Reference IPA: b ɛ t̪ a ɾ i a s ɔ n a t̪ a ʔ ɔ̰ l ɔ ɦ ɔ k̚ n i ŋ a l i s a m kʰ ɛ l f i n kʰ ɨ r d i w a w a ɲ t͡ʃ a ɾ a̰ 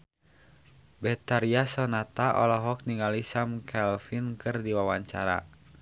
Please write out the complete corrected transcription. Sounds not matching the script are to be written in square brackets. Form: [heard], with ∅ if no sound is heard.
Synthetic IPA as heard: b ɛ t̪ a ɾ i a s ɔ n a t̪ a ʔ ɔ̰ l ɔ ɦ ɔ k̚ n i ŋ a l i s a m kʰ ɛ l f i n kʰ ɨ r d i w a w a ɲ t͡ʃ a ɾ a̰